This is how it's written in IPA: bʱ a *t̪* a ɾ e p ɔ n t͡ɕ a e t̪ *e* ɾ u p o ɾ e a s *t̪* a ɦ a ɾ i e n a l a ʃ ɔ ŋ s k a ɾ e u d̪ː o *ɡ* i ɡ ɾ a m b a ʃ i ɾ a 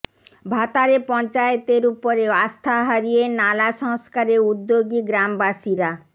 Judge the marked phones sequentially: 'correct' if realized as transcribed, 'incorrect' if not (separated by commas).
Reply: correct, correct, incorrect, correct